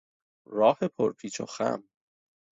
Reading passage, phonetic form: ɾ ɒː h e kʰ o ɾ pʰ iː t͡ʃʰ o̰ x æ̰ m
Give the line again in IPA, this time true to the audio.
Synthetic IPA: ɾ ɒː h e pʰ o ɾ pʰ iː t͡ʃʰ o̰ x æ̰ m